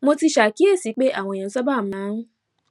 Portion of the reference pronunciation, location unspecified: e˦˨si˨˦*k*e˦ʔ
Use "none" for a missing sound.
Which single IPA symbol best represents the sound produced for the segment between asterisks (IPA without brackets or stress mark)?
k͡p